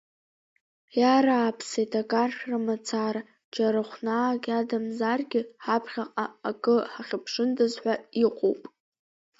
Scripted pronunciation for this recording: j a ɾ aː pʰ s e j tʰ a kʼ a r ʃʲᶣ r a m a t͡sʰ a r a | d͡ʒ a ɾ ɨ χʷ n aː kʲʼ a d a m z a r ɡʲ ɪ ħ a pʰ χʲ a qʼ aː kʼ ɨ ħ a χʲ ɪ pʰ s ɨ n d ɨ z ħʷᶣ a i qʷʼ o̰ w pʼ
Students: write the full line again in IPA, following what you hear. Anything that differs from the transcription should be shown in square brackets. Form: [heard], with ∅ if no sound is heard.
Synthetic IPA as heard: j a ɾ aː pʰ s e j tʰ a kʼ a r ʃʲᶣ r a m a t͡sʰ a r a | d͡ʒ a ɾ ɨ χʷ n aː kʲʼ a d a m z a r ɡʲ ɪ ħ a pʰ χʲ a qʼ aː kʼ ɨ ħ a χʲ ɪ pʰ [ʂ] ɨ n d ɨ z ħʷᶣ a i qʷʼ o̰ w pʼ